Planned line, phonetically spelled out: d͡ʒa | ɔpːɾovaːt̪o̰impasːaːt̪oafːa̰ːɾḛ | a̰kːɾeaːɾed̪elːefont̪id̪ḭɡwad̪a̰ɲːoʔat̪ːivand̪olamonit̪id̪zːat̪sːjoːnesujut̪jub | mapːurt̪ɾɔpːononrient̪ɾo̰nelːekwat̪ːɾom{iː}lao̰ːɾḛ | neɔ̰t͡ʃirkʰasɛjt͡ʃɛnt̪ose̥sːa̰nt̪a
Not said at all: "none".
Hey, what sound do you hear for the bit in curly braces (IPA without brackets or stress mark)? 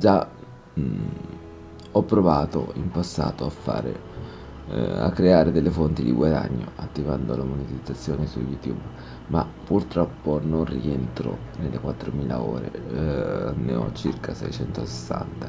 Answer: iː